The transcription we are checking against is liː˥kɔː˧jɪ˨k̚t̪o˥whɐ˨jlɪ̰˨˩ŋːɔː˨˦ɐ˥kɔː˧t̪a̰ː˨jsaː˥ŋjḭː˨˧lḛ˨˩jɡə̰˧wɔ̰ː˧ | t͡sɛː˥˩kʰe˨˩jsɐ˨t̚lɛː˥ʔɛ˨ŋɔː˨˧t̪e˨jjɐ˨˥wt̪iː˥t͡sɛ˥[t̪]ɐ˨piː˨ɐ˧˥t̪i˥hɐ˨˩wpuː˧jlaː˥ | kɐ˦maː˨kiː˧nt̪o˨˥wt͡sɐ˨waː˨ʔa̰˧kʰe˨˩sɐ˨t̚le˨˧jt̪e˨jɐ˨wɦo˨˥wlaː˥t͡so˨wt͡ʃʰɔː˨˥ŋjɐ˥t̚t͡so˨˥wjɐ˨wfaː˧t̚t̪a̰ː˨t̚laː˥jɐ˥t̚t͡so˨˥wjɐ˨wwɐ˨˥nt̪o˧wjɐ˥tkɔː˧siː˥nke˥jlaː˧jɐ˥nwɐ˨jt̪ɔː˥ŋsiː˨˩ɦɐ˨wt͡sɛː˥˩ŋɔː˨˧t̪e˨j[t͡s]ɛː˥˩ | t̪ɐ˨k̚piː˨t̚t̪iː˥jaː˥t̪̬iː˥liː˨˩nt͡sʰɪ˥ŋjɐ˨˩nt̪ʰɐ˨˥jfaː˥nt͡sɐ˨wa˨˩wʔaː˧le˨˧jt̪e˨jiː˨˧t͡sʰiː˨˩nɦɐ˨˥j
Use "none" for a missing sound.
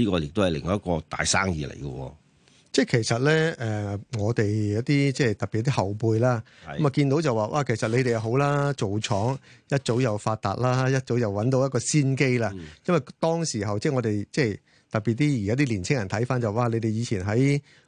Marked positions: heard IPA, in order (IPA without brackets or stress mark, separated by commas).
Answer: t̪, t͡s